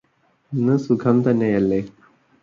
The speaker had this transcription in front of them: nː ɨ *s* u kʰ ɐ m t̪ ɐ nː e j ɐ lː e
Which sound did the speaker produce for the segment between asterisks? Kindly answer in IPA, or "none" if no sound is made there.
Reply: s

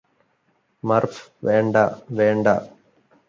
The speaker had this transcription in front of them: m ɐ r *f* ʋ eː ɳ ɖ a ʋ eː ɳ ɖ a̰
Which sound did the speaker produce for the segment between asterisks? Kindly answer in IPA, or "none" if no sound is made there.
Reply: f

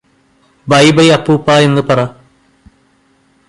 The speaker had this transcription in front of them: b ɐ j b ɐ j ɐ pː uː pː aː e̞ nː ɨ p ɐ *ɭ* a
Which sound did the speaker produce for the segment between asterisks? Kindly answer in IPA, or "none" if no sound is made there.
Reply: r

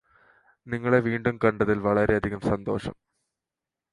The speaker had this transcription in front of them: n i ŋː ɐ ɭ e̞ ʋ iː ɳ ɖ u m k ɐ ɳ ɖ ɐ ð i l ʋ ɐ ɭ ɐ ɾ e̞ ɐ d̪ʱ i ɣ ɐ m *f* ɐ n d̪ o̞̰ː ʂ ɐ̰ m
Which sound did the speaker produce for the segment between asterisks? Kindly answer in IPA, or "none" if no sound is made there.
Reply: s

